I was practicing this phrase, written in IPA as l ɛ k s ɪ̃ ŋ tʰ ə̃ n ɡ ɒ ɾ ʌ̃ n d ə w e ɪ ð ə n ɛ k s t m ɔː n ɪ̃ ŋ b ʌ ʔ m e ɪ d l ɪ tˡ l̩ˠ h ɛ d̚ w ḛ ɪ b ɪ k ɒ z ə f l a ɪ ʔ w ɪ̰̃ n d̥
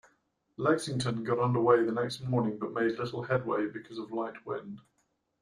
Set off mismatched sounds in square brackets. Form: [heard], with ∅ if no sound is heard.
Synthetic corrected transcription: l ɛ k s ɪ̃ ŋ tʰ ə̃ n ɡ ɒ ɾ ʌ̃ n d ə w e ɪ ð ə n ɛ k s t m ɔː n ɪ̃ ŋ b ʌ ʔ m e ɪ d l ɪ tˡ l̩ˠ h ɛ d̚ w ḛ ɪ b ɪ [kʰ] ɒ z ə [v] l a ɪ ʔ w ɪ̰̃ n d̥